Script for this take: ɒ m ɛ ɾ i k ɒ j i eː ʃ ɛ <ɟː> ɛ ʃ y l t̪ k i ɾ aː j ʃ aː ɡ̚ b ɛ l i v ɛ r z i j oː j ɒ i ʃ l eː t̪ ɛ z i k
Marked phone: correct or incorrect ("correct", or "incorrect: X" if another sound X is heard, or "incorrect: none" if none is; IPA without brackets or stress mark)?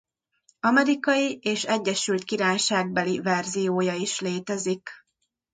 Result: correct